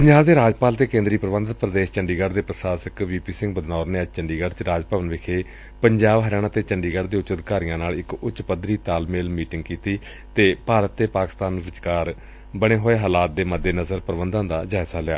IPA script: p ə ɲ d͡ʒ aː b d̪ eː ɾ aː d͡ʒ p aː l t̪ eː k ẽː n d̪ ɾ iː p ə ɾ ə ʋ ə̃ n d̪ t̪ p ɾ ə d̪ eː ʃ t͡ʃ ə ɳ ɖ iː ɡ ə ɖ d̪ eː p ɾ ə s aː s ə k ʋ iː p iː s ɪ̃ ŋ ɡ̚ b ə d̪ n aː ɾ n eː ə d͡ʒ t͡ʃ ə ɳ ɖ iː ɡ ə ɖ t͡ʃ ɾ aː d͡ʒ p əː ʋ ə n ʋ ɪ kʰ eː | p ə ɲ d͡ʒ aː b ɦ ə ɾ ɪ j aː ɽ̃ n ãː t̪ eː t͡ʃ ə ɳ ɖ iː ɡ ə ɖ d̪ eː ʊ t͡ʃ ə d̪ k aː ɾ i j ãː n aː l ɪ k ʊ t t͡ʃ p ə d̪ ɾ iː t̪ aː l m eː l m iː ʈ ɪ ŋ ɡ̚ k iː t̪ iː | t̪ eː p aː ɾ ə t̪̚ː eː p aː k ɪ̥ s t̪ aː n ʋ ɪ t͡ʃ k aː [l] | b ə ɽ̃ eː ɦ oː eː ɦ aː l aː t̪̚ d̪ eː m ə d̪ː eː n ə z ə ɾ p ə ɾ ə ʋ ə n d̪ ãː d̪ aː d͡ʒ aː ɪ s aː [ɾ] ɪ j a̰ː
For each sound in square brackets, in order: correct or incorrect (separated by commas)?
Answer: incorrect, incorrect